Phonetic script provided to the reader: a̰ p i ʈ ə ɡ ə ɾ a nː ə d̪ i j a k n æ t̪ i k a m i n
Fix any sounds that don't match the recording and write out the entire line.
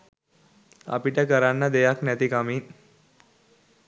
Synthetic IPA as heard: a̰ p i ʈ ə k ə ɾ a nː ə d̪ e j a k n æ t̪ i k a m i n